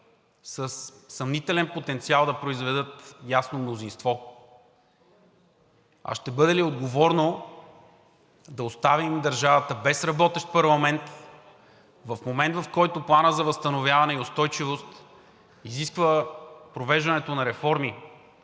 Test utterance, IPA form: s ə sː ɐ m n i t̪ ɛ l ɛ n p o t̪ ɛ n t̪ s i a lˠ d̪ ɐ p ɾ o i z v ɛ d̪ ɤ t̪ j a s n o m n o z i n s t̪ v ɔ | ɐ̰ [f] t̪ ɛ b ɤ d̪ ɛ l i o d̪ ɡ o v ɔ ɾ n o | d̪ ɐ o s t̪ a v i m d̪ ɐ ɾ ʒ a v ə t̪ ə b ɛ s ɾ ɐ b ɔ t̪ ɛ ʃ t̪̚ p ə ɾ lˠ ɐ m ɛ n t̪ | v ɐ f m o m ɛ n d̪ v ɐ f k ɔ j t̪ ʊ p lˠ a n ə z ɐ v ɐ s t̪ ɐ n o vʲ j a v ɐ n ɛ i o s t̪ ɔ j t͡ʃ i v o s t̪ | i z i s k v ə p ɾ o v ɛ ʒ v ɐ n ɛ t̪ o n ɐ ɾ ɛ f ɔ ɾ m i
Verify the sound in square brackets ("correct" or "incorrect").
incorrect